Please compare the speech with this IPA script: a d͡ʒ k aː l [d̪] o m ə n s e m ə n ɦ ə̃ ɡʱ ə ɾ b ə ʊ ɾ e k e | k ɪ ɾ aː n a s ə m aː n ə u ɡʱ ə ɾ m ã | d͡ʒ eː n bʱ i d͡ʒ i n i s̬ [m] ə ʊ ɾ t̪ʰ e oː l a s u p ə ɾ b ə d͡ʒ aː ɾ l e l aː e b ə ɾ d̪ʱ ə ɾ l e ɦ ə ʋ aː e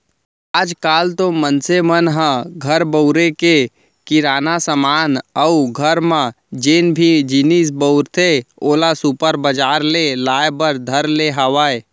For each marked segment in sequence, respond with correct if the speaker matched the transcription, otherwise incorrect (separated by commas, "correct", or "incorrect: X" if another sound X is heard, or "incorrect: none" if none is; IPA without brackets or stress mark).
incorrect: t̪, incorrect: b